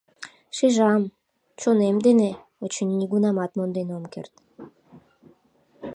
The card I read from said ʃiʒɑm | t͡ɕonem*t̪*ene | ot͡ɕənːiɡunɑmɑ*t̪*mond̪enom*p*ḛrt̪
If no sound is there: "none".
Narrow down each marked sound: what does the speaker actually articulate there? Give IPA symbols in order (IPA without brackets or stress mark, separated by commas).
d̪, t̪, k